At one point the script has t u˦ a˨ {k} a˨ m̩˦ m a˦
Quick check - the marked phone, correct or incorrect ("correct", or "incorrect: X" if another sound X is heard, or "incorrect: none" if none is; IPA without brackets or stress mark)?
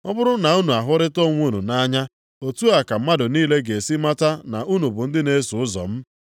correct